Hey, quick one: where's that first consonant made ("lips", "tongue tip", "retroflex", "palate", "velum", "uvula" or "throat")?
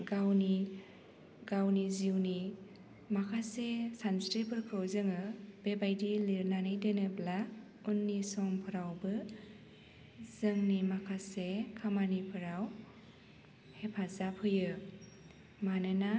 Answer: velum